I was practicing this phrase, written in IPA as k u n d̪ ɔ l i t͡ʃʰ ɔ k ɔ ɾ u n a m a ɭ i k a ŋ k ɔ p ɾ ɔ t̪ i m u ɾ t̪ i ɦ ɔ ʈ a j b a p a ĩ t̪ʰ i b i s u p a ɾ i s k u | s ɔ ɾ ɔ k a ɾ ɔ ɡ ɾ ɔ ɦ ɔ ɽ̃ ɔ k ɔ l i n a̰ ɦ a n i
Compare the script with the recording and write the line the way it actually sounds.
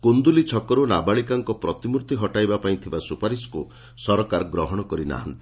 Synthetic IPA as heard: k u n d̪ u l i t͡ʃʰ ɔ k ɔ ɾ u n a b a ɭ i k a ŋ k ɔ p ɾ ɔ t̪ i m u ɾ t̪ i ɦ ɔ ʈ a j b a p a ĩ t̪ʰ i b a s u p a ɾ i s k u | s ɔ ɾ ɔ k a ɾ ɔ ɡ ɾ ɔ ɦ ɔ ɽ̃ ɔ k ɔ ɾ i n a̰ ɦ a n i